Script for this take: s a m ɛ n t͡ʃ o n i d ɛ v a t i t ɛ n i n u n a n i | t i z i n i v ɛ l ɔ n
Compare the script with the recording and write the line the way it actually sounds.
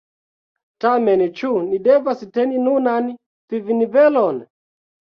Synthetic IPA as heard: t a m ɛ n t͡ʃ u n i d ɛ v a s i t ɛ n i n u n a n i | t i v i n i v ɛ l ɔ n